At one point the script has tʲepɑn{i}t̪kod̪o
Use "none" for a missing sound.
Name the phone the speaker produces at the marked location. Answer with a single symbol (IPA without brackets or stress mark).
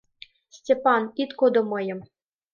i